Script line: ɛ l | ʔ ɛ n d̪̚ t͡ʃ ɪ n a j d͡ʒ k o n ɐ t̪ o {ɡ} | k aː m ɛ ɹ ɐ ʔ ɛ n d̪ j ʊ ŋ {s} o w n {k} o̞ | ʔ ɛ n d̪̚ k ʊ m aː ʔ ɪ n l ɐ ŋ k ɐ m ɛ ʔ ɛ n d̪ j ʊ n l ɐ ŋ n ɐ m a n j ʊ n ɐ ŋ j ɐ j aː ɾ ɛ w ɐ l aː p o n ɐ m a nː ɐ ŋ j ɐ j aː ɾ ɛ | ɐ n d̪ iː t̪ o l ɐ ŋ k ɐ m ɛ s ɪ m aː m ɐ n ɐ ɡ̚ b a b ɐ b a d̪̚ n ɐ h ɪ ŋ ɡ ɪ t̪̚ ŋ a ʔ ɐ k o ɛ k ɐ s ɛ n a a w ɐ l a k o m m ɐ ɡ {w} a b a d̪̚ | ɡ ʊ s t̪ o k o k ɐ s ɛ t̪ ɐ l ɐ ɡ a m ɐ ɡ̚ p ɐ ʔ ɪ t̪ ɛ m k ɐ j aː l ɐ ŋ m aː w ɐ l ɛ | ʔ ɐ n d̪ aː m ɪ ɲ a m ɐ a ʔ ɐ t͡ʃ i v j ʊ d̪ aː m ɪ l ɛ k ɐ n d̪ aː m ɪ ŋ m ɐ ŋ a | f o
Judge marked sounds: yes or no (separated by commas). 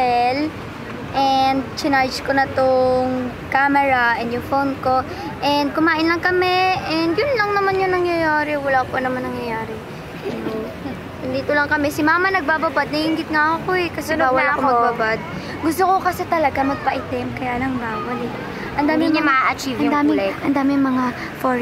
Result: no, no, yes, no